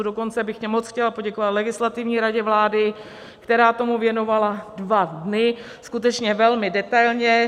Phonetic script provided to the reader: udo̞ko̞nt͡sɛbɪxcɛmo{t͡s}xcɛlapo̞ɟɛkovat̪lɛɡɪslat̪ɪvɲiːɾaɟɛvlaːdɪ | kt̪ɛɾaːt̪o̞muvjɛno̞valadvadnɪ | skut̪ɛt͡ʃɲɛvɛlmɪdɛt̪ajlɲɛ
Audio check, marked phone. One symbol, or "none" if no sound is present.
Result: t͡s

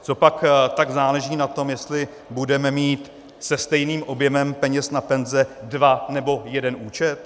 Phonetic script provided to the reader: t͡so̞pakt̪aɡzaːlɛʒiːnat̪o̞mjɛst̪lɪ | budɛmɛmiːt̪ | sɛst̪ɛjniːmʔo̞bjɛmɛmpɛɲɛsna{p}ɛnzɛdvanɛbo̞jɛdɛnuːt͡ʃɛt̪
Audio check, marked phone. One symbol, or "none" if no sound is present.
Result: p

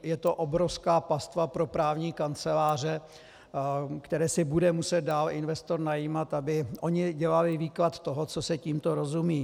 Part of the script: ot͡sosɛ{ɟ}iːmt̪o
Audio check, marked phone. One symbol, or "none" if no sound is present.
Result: c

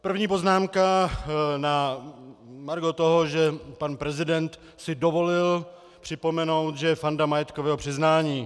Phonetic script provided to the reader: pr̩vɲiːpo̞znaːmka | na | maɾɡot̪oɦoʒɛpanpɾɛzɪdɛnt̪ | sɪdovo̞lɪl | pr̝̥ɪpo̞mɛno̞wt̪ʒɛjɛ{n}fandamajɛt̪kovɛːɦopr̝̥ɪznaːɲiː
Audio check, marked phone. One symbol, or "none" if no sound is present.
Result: none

